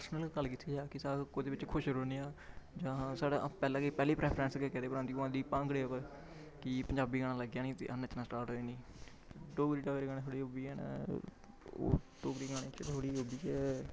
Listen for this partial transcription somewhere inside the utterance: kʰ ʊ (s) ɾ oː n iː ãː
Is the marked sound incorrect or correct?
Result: incorrect: ʃ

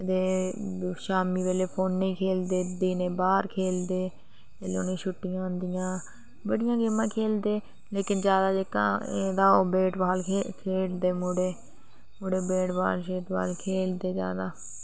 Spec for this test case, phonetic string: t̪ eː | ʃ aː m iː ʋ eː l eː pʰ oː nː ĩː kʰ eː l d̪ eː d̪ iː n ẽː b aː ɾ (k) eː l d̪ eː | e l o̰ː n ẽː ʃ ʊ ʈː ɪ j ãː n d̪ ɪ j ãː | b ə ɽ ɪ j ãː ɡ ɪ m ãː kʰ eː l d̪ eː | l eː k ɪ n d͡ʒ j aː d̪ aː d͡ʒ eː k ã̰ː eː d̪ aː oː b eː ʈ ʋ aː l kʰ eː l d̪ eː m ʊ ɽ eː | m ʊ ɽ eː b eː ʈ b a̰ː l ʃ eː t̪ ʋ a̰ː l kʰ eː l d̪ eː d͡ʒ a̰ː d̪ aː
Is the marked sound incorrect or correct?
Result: incorrect: kʰ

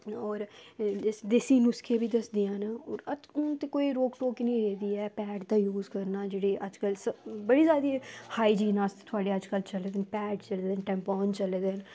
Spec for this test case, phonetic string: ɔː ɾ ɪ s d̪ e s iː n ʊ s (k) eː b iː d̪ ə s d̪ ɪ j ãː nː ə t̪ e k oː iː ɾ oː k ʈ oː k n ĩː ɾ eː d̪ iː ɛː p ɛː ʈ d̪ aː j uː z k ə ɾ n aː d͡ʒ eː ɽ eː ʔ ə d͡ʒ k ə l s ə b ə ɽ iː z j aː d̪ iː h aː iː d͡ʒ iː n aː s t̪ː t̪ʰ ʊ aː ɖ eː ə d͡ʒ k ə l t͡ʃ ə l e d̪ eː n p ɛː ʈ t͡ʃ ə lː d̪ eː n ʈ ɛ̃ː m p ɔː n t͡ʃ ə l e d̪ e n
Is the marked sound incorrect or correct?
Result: incorrect: kʰ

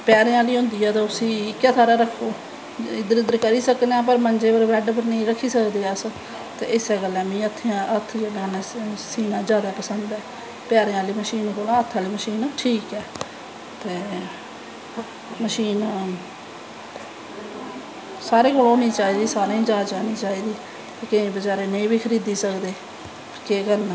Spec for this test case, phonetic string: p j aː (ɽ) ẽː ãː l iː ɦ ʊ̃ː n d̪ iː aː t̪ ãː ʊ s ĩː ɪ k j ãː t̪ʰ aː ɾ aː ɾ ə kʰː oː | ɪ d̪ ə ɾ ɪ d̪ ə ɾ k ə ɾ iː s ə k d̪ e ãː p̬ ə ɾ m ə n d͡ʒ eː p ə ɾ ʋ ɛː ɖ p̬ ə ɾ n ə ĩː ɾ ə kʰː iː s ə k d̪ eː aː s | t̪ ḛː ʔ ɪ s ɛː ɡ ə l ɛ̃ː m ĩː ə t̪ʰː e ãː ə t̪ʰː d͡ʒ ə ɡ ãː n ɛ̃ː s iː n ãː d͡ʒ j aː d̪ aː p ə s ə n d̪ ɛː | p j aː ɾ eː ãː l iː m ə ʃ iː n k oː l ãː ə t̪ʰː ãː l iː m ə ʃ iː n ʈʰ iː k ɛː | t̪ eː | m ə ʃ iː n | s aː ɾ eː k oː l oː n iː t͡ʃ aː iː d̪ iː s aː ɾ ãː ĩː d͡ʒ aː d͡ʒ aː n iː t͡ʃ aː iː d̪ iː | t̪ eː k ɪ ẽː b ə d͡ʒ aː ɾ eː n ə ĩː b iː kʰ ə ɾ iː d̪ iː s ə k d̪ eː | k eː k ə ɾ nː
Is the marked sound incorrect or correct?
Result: incorrect: ɾ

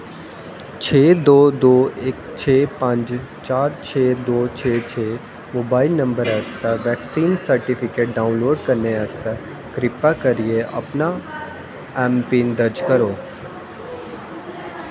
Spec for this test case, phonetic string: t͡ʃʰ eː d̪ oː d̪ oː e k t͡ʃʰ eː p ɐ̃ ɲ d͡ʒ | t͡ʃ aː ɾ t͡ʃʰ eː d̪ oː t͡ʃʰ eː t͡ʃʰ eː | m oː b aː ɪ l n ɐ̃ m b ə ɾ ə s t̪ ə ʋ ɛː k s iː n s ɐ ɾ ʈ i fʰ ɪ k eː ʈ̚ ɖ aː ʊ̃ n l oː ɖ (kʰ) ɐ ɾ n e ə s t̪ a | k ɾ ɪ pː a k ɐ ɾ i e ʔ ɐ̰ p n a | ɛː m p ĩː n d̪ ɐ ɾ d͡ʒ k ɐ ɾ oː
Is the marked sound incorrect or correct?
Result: incorrect: k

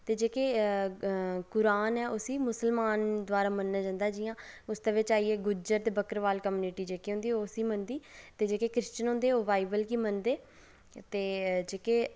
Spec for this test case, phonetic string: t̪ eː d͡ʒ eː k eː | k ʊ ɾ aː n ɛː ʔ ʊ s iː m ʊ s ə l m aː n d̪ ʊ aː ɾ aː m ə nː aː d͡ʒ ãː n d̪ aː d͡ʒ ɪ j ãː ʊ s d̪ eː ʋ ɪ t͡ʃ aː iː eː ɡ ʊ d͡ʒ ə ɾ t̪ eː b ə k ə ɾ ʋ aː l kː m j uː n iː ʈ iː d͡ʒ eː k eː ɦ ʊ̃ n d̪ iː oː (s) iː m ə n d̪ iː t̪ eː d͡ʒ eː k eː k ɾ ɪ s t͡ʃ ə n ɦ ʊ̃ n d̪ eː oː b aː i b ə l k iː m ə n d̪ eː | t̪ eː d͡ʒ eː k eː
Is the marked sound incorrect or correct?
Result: correct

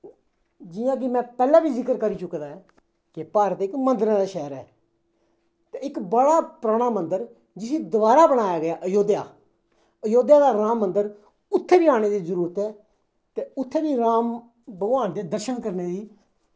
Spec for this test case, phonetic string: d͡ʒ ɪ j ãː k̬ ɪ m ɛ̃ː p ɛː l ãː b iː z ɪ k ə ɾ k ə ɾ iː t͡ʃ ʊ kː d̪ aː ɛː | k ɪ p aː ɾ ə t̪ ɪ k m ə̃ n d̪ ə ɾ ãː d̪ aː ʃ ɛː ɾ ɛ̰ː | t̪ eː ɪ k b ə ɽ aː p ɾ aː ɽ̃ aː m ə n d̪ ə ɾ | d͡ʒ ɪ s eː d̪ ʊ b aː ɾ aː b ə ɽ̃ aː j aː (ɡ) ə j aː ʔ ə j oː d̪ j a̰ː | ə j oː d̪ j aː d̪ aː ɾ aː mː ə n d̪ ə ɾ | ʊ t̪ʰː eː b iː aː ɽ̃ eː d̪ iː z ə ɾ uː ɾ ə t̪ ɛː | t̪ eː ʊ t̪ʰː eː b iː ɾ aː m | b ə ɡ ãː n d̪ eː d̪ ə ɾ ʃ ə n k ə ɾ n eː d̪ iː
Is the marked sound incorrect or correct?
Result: correct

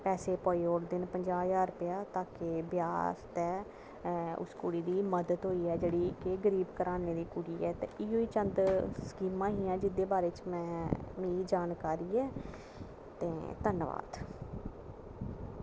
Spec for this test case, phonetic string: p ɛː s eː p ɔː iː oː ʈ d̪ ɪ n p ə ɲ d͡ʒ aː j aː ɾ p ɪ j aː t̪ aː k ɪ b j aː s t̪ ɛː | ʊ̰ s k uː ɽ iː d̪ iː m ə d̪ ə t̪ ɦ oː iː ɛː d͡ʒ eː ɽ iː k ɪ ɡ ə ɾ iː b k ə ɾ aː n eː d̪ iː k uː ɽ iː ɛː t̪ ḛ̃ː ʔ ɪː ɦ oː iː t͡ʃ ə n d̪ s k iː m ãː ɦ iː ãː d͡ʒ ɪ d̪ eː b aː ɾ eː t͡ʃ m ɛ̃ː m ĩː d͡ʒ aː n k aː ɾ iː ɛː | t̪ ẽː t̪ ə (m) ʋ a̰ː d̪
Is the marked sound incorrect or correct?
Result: incorrect: n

